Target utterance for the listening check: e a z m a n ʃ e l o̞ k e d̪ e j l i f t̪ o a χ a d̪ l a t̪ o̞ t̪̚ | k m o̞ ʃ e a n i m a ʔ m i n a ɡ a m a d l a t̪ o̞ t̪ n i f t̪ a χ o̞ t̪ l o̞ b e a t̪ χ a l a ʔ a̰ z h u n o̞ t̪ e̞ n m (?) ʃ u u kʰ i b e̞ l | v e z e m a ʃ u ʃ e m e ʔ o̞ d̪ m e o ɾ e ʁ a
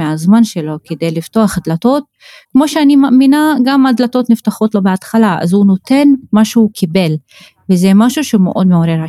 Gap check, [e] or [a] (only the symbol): a